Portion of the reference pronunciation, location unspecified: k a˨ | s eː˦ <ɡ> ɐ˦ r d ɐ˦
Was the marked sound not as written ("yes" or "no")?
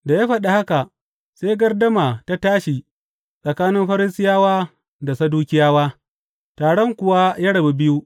no